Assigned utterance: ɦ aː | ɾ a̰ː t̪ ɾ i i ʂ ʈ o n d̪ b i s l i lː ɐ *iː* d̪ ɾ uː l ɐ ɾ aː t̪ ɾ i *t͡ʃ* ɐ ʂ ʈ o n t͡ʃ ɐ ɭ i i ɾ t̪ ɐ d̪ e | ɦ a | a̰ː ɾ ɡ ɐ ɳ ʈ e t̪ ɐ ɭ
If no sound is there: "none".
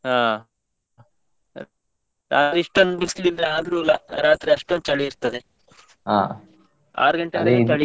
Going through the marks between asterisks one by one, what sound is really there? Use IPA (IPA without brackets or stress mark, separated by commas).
aː, none